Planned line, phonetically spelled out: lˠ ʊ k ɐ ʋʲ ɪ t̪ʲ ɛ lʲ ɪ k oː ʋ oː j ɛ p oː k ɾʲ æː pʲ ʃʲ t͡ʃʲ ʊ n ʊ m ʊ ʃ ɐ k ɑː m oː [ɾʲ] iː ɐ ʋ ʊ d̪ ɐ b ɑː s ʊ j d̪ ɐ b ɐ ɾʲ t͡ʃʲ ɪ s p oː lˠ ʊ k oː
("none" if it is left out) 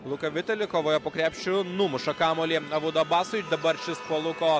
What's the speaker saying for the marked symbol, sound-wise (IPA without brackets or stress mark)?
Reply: lʲ